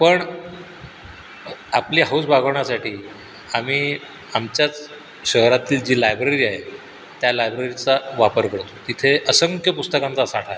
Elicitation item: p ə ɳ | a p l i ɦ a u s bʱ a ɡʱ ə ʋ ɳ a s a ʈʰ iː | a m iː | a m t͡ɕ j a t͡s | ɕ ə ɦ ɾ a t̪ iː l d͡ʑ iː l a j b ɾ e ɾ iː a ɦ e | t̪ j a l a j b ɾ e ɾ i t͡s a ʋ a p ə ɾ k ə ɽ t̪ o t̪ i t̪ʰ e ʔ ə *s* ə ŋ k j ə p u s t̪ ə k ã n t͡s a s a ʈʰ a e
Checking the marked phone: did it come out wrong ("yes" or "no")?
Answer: no